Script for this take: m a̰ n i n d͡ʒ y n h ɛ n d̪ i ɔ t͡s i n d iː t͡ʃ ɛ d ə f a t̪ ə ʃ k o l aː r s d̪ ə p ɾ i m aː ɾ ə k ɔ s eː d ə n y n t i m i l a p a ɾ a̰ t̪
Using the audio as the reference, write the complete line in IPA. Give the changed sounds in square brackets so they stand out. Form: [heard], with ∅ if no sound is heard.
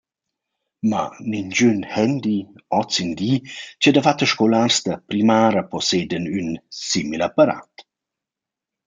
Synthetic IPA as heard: m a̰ n i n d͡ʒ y n h ɛ n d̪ i ɔ t͡s i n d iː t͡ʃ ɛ d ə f a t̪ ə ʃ k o l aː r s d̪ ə p ɾ i m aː ɾ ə [p] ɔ s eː d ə n y n [s] i m i l a p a ɾ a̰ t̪